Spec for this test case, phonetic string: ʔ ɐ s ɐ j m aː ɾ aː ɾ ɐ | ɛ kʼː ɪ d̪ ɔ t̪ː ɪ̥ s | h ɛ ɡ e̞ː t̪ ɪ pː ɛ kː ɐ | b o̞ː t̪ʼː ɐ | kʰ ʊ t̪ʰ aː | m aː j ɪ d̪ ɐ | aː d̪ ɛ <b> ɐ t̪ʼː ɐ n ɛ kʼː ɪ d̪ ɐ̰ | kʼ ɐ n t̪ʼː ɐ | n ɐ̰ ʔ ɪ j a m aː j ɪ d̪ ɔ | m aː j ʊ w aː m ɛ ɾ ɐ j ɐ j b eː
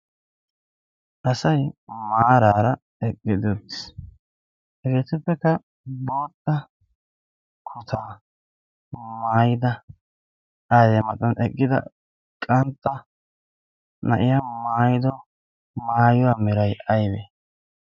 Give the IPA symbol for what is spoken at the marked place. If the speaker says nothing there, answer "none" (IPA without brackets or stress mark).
m